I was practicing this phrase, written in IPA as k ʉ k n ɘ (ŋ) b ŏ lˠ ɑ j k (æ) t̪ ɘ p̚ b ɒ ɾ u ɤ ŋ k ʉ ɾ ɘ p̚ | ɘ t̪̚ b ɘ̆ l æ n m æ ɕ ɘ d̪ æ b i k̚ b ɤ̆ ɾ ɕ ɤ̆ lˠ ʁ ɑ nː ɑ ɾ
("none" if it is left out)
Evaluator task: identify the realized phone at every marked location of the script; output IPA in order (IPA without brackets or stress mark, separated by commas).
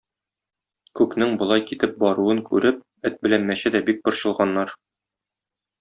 ŋ, i